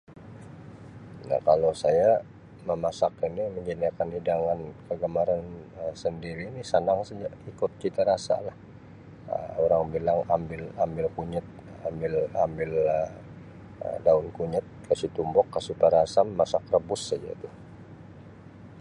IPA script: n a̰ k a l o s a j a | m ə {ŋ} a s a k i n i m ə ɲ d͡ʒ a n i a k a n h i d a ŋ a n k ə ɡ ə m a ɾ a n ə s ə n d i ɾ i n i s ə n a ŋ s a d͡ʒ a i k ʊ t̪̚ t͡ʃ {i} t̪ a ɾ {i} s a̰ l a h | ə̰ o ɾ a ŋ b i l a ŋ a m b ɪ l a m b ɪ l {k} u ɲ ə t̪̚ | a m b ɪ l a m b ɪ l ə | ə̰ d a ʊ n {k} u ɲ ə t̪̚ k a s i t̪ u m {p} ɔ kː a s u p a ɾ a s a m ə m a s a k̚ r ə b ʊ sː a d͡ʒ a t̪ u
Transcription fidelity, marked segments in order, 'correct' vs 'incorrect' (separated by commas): incorrect, correct, incorrect, correct, correct, incorrect